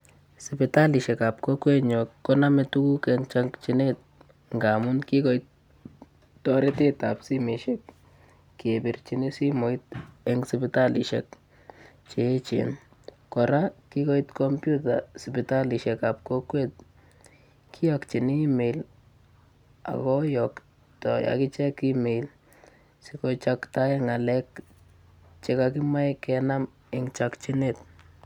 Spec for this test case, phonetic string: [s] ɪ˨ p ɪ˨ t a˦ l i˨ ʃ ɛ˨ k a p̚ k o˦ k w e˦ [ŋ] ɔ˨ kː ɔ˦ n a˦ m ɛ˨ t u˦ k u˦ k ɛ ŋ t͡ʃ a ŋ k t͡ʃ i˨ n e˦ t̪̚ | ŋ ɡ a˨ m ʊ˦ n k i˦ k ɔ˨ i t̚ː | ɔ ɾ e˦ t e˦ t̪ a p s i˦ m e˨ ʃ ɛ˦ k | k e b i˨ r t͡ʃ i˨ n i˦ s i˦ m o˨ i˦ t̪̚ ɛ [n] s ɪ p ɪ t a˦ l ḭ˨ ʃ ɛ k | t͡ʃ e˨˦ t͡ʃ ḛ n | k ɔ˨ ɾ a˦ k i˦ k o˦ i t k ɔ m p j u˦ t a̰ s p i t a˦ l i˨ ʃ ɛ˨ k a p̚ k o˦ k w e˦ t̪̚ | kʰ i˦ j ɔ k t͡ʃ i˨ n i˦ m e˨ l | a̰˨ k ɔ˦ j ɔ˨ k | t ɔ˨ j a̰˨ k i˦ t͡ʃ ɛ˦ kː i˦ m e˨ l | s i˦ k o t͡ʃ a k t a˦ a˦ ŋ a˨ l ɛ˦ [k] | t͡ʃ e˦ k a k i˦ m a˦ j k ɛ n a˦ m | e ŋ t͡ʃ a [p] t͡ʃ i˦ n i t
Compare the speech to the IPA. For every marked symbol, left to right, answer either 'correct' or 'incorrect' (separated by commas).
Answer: correct, incorrect, incorrect, correct, incorrect